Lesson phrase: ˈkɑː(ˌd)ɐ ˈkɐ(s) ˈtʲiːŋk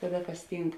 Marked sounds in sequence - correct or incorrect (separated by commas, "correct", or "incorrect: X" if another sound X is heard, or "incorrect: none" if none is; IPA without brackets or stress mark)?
correct, correct